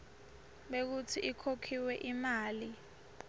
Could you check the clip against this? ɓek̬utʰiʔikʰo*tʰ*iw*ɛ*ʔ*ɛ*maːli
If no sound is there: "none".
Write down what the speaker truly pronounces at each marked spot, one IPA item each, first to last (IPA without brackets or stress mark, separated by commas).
kʰ, ɛ, i